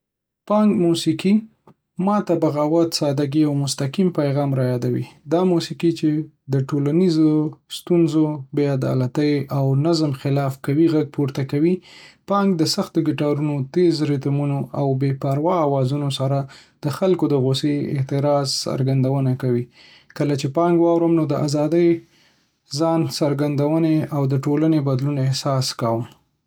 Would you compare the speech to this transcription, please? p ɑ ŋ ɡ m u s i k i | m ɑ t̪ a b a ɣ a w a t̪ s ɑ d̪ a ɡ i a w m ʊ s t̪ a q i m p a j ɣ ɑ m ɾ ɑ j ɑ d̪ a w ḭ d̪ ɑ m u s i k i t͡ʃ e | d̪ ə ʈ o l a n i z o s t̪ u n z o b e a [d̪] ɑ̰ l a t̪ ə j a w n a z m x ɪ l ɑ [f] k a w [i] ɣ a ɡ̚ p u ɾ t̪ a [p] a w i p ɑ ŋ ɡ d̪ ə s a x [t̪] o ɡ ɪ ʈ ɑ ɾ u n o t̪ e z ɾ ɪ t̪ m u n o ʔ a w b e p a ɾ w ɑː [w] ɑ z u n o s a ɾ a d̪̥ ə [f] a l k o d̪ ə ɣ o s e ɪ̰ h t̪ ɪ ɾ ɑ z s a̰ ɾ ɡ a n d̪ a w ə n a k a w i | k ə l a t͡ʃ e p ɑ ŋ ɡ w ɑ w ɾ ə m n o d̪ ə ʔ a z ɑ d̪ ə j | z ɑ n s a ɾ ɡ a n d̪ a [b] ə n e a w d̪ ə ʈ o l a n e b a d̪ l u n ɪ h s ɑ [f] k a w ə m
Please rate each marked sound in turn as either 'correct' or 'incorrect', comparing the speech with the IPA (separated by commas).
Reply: correct, correct, correct, incorrect, correct, correct, incorrect, incorrect, incorrect